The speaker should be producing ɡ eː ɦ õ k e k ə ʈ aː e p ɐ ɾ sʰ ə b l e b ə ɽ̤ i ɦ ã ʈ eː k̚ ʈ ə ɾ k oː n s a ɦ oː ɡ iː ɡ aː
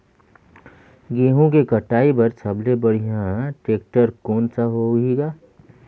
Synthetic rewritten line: ɡ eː ɦ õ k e k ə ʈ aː i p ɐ ɾ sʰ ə b l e b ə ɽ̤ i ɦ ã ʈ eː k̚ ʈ ə ɾ k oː n s a ɦ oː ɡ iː ɡ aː